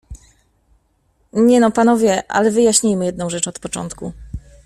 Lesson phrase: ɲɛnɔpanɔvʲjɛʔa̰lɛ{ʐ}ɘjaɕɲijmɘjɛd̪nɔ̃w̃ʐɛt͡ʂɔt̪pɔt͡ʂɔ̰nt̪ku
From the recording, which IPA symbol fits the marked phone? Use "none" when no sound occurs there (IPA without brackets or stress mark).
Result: v